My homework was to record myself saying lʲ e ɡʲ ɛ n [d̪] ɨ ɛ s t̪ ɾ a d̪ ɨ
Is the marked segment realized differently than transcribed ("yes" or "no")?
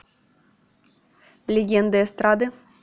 no